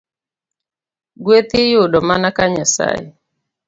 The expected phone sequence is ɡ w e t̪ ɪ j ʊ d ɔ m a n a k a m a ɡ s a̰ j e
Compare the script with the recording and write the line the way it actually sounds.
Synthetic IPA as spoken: ɡ w e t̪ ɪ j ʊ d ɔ m a n a k a ɲ a s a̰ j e